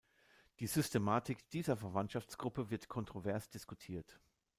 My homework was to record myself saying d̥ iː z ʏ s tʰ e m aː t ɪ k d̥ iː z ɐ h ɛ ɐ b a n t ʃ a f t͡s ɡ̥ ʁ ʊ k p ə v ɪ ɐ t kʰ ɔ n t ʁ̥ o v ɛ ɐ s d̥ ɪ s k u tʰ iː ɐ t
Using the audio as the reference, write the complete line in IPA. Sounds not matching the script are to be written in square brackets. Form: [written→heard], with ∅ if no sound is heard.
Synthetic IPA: d̥ iː z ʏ s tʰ e m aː t ɪ k d̥ iː z ɐ [h→f] ɛ ɐ [b→v] a n t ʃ a f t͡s ɡ̥ ʁ ʊ [k→∅] p ə v ɪ ɐ t kʰ ɔ n t ʁ̥ o v ɛ ɐ s d̥ ɪ s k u tʰ iː ɐ t